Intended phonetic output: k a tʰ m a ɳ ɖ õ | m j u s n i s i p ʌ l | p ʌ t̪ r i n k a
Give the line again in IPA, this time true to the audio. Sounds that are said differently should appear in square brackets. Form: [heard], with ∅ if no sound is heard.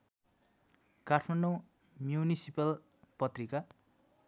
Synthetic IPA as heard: k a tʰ m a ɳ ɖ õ | m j u [∅] n i s i p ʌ l | p ʌ t̪ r i [∅] k a